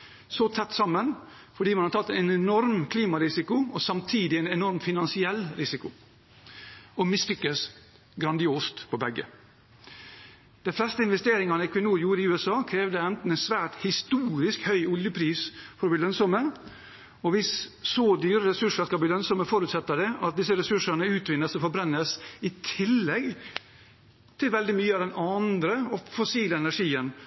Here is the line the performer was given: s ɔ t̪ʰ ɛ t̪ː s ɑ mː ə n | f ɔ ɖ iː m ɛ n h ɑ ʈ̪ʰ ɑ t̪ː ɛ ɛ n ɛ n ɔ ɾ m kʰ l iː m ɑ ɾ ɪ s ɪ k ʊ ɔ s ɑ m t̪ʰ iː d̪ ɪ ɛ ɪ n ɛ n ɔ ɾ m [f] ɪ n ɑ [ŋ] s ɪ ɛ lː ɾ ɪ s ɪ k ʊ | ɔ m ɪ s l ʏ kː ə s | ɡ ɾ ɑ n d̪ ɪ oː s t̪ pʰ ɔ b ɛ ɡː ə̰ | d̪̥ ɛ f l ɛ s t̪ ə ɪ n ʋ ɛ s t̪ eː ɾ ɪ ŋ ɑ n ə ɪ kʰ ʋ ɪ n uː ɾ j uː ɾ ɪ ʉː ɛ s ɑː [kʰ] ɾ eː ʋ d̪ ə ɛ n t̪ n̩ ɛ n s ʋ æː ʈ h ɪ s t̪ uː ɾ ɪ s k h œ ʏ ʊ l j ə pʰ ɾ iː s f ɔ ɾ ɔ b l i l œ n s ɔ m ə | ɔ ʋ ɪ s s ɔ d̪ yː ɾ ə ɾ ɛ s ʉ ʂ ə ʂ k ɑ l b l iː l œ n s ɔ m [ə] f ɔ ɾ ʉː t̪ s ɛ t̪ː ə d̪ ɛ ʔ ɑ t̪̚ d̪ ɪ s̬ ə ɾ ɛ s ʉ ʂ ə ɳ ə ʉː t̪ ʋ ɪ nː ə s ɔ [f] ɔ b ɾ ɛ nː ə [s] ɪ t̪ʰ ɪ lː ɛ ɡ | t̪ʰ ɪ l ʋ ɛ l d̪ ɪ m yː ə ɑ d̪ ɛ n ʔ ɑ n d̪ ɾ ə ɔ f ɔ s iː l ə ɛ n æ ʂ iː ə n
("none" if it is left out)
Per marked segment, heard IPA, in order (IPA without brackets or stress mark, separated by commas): f, n, kʰ, ə, f, s